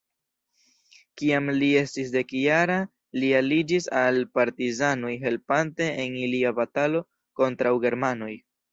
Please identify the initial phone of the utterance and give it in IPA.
k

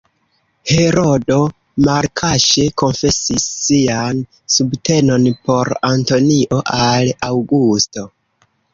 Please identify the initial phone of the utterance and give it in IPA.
h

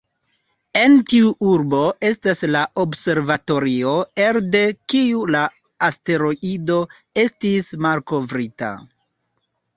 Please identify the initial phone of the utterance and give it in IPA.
e̞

